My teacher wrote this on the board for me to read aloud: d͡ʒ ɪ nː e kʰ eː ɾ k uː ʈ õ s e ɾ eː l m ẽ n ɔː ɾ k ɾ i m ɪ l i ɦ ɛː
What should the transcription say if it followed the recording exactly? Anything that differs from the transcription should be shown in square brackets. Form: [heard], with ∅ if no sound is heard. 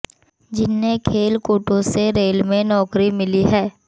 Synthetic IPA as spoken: d͡ʒ ɪ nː e kʰ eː [l] k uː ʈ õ s e ɾ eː l m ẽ n ɔː [∅] k ɾ i m ɪ l i ɦ ɛː